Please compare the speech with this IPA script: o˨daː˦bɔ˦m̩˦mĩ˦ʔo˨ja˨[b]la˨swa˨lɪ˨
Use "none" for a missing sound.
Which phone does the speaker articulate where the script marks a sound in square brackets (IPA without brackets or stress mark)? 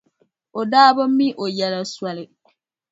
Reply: none